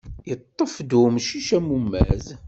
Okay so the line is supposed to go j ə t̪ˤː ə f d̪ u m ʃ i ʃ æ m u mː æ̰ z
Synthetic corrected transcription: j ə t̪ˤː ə f d̪ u m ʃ i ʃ æ m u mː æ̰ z